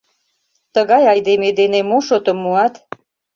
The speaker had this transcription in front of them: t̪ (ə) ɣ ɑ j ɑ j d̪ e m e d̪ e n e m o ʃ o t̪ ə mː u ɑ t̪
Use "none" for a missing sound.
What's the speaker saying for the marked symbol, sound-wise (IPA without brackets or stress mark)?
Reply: ə